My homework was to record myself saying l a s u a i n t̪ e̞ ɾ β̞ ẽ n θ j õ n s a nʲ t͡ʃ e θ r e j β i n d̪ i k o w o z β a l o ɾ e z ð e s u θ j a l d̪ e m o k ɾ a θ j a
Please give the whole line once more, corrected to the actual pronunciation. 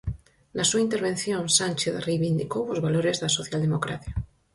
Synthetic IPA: l a s u a i n t̪ e̞ ɾ β̞ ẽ n θ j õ n s a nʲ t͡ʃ e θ r e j β i n d̪ i k o w o z β a l o ɾ e z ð a s o θ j a l d̪ e m o k ɾ a θ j a